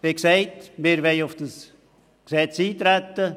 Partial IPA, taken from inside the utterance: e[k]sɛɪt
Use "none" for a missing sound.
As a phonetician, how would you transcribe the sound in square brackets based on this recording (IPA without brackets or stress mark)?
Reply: k